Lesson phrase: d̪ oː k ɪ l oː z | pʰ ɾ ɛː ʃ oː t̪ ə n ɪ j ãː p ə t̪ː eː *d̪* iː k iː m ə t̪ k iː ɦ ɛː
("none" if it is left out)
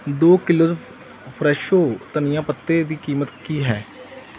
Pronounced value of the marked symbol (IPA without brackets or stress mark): d̪